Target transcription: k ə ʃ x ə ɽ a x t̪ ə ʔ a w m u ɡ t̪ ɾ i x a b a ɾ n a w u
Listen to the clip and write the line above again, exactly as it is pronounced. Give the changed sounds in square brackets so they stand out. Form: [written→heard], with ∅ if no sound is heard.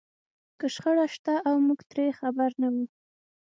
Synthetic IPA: k ə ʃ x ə ɽ a [x→ʃ] t̪ [ə→a] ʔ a w m u ɡ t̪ ɾ [i→e] x a b a ɾ n a w u